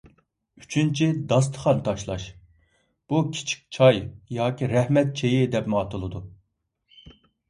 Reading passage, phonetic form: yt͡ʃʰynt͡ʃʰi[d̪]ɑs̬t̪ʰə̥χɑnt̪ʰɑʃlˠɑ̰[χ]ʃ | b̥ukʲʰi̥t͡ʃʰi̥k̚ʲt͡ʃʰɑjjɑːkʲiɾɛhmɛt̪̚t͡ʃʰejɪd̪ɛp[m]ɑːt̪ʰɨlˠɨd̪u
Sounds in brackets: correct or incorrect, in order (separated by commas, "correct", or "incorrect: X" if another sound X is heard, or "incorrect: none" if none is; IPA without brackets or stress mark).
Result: correct, incorrect: none, correct